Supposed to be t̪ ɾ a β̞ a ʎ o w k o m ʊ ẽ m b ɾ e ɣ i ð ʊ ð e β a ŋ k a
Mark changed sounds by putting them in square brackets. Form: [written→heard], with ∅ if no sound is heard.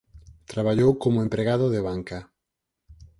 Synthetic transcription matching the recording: t̪ ɾ a β̞ a ʎ o w k o m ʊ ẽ m [b→p] ɾ e ɣ [i→a] ð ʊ ð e β a ŋ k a

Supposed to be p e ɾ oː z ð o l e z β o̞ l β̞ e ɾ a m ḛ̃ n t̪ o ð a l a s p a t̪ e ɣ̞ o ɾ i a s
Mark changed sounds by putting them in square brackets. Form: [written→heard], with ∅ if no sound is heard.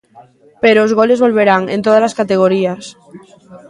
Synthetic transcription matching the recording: p e ɾ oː z [ð→ɣ] o l e z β o̞ l β̞ e ɾ a [m→ŋ] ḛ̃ n t̪ o ð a l a s [p→k] a t̪ e ɣ̞ o ɾ i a s

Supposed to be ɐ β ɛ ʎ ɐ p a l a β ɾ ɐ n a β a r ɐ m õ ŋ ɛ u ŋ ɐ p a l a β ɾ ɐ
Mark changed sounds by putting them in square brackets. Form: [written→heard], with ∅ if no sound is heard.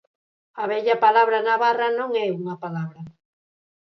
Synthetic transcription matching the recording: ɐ β ɛ ʎ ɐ p a l a β ɾ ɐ n a β a r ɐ [m→n] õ ŋ ɛ u ŋ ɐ p a l a β ɾ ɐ

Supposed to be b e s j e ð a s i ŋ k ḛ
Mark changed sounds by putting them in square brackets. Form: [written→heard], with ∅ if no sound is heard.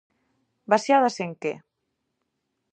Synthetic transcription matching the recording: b [e→a] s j [e→a] ð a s [i→e] ŋ k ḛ

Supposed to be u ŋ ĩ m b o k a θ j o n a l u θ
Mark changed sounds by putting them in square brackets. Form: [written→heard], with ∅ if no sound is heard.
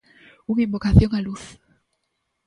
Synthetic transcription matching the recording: u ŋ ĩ m b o k a θ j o [n→ŋ] a l u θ

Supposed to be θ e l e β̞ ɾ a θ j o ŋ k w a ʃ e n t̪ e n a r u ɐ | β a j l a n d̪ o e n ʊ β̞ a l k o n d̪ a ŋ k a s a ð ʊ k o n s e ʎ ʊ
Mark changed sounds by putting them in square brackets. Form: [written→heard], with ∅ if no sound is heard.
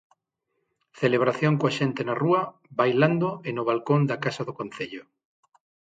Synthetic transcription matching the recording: θ e l e β̞ ɾ a θ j o ŋ k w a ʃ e n t̪ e n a r u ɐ | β a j l a n d̪ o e n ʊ β̞ a l k o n d̪ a [ŋ→∅] k a s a ð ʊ k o n [s→θ] e ʎ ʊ

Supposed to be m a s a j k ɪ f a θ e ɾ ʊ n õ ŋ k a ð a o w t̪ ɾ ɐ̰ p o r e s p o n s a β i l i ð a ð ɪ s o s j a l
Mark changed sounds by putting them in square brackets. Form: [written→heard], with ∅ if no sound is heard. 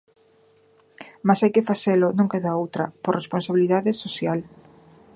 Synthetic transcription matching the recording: m a s a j k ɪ f a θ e [ɾ→l] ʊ n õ ŋ k [a→e] ð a o w t̪ ɾ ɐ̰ p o r e s p o n s a β i l i ð a ð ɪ s o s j a l

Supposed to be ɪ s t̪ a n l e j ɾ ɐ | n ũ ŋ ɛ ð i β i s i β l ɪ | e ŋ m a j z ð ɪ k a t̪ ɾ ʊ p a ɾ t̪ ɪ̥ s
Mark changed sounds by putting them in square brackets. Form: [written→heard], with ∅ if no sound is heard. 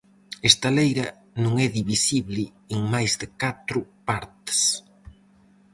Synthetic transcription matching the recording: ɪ s t̪ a [n→∅] l e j ɾ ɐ | n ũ ŋ ɛ ð i β i s i β l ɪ | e ŋ m a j z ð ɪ k a t̪ ɾ ʊ p a ɾ t̪ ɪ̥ s

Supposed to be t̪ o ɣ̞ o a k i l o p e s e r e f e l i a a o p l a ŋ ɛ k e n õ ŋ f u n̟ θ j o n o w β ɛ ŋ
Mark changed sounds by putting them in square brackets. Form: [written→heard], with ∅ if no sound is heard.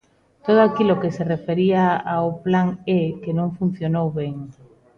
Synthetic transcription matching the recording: t̪ o [ɣ̞→ð̞] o a k i l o [p→k] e s e r e f e [l→ɾ] i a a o p l a ŋ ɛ k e n õ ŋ f u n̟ θ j o n o w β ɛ ŋ

